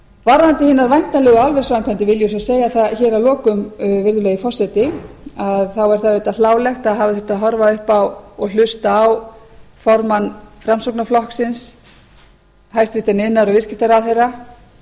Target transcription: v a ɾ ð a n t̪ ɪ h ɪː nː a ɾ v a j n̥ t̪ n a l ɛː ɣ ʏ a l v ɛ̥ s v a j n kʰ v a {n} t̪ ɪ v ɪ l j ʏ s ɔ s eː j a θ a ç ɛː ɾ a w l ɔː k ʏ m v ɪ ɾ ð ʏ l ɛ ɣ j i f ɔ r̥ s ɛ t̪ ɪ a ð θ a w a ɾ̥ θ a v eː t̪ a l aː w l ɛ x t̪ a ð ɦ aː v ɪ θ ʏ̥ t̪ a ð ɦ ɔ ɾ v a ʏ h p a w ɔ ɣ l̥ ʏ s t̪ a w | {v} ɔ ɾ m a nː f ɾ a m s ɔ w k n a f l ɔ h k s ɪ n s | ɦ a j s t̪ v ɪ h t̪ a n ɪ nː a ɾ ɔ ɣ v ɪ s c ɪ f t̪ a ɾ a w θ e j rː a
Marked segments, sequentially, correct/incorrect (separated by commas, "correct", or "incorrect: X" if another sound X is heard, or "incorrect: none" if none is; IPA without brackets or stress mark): correct, incorrect: f